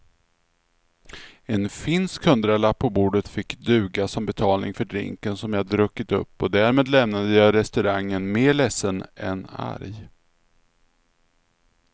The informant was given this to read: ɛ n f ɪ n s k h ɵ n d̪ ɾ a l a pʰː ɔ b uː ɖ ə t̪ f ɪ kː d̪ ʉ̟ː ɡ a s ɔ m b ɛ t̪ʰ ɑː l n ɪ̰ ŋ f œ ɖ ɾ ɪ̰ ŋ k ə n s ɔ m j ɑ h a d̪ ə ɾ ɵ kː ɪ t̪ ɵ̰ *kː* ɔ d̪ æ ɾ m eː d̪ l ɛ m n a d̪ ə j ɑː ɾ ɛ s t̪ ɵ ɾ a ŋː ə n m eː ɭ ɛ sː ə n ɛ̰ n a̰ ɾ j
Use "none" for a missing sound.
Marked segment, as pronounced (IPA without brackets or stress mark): pː